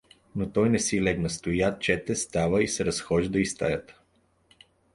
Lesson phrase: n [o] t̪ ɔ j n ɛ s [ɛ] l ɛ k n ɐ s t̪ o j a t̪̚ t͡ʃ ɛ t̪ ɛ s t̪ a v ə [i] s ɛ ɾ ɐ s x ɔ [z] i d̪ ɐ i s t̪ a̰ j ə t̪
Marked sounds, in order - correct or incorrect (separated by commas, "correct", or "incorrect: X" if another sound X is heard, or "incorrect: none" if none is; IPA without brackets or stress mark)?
correct, incorrect: i, correct, incorrect: ʒ